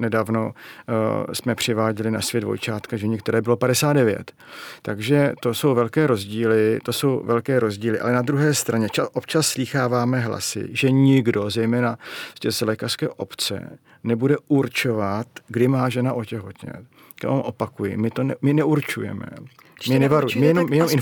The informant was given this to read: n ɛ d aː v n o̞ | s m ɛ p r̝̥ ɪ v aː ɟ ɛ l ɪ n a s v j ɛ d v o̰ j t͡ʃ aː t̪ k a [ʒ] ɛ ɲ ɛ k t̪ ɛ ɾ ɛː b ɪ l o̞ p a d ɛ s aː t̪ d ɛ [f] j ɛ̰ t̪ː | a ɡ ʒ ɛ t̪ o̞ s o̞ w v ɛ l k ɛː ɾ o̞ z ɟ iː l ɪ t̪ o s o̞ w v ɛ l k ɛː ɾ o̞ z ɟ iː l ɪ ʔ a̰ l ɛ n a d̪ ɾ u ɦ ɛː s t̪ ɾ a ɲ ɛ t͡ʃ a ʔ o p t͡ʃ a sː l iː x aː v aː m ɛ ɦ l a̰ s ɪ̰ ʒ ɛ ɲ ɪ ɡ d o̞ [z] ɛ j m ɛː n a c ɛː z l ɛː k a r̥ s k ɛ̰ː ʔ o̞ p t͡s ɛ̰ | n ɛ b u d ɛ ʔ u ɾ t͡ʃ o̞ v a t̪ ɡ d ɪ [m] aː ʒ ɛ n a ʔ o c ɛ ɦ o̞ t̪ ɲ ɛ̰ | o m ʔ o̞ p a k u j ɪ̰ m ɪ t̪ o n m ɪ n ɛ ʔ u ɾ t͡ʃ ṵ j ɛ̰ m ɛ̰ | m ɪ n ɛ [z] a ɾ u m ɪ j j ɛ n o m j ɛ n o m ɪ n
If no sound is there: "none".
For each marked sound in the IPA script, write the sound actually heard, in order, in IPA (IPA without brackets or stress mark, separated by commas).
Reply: ʒ, v, z, m, v